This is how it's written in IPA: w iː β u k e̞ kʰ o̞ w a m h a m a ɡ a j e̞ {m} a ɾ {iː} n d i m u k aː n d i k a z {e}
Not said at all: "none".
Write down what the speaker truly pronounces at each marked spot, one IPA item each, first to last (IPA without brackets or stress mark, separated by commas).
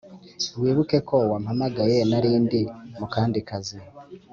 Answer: n, iː, i